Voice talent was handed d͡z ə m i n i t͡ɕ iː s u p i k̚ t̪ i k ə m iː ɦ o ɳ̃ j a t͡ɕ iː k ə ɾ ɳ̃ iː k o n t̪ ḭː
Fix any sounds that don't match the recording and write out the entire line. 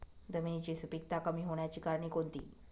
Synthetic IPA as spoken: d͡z ə m i n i t͡ɕ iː s u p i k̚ t̪ a k ə m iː ɦ o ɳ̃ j a t͡ɕ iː k a ɾ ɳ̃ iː k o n t̪ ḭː